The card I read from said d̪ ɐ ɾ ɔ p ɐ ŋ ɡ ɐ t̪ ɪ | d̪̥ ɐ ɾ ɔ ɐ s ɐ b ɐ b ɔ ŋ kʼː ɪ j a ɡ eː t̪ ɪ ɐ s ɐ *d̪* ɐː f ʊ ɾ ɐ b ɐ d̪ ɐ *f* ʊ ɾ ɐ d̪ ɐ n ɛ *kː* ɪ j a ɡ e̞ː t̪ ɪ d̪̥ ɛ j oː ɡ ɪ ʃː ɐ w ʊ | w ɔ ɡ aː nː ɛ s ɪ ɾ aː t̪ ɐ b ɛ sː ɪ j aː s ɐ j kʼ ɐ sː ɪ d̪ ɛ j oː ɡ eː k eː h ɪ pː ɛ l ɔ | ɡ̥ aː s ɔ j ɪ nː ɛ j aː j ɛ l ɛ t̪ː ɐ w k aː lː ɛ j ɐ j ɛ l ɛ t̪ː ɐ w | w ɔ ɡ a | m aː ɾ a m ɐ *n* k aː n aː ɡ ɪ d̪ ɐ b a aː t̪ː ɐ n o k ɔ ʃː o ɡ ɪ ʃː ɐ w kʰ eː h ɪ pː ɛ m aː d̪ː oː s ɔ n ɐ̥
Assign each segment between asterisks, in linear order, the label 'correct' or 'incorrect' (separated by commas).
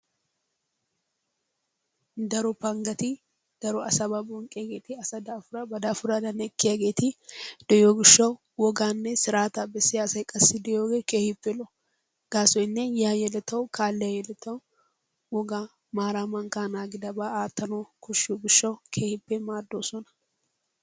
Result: correct, correct, correct, incorrect